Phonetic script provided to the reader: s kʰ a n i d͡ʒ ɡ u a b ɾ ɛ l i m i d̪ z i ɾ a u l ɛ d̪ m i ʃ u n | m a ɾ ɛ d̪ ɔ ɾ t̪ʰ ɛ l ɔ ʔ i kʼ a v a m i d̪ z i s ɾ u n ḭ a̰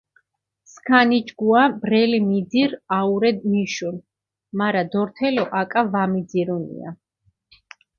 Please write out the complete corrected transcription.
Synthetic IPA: s kʰ a n i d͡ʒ ɡ u a b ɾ ɛ l i m i d̪ z i ɾ a u ɾ ɛ d̪ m i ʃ u n | m a ɾ a d̪ ɔ ɾ t̪ʰ ɛ l ɔ ʔ a kʼ a v a m i d̪ z i ɾ u n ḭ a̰